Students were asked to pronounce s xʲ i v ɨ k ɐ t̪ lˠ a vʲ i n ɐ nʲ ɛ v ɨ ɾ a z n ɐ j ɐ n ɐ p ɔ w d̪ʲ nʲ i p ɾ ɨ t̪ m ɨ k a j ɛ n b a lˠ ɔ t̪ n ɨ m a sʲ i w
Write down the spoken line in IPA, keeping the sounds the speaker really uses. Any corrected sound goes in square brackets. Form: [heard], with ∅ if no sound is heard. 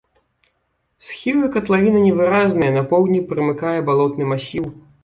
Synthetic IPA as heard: s xʲ i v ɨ k ɐ t̪ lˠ a vʲ i n ɐ nʲ ɛ v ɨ ɾ a z n ɐ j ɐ n ɐ p ɔ w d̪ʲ nʲ i p ɾ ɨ [∅] m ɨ k a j ɛ [∅] b a lˠ ɔ t̪ n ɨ m a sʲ i w

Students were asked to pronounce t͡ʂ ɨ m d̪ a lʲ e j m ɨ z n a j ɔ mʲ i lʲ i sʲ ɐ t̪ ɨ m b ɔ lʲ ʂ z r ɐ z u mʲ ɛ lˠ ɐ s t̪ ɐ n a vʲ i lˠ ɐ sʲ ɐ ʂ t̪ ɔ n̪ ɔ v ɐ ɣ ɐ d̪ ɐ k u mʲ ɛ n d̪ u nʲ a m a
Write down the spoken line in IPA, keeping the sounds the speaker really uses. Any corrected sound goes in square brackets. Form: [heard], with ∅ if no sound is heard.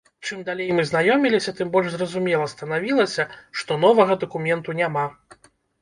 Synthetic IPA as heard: t͡ʂ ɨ m d̪ a lʲ e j m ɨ z n a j ɔ mʲ i lʲ i sʲ ɐ t̪ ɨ m b ɔ lʲ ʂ z r ɐ z u mʲ ɛ lˠ ɐ s t̪ ɐ n a vʲ i lˠ ɐ sʲ ɐ ʂ t̪ ɔ n̪ ɔ v ɐ ɣ ɐ d̪ ɐ k u mʲ ɛ n [t̪] u nʲ a m a

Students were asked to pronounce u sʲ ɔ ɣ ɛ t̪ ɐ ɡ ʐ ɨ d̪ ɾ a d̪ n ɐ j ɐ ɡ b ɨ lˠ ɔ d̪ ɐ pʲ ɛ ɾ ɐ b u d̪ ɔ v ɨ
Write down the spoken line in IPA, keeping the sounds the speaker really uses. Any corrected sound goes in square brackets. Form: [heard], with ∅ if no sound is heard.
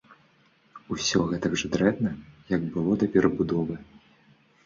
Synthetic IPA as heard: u sʲ ɔ ɣ ɛ t̪ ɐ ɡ ʐ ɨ d̪ ɾ [ɛ] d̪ n ɐ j ɐ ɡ b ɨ lˠ ɔ d̪ ɐ pʲ ɛ ɾ ɐ b u d̪ ɔ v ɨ

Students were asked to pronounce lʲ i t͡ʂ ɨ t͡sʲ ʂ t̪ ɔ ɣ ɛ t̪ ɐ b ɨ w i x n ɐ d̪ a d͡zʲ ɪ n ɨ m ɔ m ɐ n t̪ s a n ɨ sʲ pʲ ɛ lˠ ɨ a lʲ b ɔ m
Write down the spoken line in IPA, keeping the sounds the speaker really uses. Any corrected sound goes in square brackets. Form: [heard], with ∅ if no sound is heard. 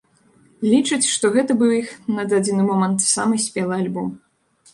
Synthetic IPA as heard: lʲ i t͡ʂ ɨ t͡sʲ ʂ t̪ ɔ ɣ ɛ t̪ ɐ b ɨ w i x n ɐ d̪ a d͡zʲ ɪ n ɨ m ɔ m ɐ n t̪ s a [m] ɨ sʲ pʲ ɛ lˠ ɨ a lʲ b ɔ m

